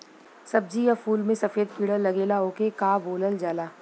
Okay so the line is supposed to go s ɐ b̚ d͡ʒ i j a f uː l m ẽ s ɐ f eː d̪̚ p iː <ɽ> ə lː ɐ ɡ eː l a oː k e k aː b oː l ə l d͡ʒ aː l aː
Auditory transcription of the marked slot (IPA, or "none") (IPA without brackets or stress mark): ɽ